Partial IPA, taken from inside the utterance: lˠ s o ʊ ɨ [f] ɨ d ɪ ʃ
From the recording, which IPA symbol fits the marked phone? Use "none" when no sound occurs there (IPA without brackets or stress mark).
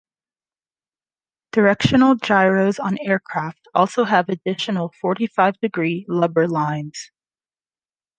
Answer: v